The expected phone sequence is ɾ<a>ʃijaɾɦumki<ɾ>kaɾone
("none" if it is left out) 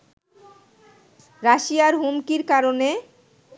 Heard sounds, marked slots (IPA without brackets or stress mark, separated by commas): a, ɾ